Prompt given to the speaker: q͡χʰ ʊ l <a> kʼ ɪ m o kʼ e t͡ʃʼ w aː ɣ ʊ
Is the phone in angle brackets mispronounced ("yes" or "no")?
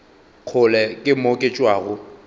yes